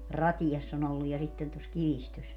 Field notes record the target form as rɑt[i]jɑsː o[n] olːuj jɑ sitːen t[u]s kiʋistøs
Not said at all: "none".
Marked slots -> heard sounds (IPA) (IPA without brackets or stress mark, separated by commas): i, n, o